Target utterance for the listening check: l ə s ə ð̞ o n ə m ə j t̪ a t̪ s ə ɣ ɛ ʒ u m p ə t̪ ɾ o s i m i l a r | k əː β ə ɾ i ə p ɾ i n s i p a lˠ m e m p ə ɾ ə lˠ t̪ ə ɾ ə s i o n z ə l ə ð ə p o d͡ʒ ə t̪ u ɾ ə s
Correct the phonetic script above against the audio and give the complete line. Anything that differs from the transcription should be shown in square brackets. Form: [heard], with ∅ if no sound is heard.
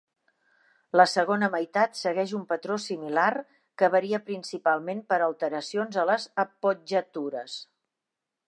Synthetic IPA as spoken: l ə s ə [ɣ̞] o n ə m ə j t̪ a t̪ s ə ɣ ɛ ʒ u m p ə t̪ ɾ o s i m i l a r | k [ə] β ə ɾ i ə p ɾ i n s i p a lˠ m e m p ə ɾ ə lˠ t̪ ə ɾ ə s i o n z ə l ə [z] ə p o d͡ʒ ə t̪ u ɾ ə s